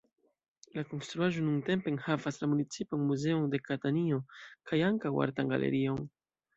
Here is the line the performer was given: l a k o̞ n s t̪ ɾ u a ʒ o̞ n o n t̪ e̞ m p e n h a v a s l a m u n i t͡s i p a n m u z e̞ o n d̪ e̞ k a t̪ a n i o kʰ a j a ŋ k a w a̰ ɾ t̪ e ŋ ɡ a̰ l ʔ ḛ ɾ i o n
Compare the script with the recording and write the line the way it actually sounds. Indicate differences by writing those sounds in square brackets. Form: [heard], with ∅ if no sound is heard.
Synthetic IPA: l a k o̞ n s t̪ ɾ u a ʒ o̞ n [u] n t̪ e̞ m p e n h a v a s l a m u n i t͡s i p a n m u z e̞ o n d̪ e̞ k a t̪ a n i o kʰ a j a ŋ k a w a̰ ɾ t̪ [a] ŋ ɡ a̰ l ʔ ḛ ɾ i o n